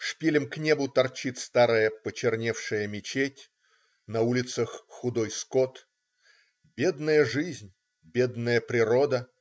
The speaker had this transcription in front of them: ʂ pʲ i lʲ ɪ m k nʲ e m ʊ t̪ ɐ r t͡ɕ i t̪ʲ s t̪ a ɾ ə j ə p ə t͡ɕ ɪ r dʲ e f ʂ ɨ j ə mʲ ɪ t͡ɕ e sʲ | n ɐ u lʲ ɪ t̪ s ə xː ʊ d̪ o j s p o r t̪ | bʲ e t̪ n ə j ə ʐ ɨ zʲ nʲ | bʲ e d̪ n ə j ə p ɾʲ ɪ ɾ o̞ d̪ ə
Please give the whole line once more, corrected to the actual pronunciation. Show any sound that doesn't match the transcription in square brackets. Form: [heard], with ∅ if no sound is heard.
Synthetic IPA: ʂ pʲ i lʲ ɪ m k nʲ e [b] ʊ t̪ ɐ r t͡ɕ i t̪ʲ s t̪ a ɾ ə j ə p ə t͡ɕ ɪ r [nʲ] e f ʂ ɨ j ə mʲ ɪ t͡ɕ e [tʲ] | n ɐ u lʲ ɪ t̪ s ə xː ʊ d̪ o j s [k] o [∅] t̪ | bʲ e [d̪] n ə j ə ʐ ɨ zʲ nʲ | bʲ e d̪ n ə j ə p ɾʲ ɪ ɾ o̞ d̪ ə